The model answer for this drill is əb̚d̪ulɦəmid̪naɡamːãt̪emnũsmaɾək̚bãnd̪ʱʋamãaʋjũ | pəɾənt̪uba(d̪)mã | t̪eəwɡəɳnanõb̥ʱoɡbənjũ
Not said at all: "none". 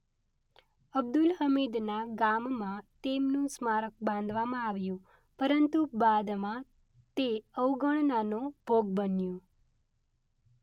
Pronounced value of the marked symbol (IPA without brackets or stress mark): d̪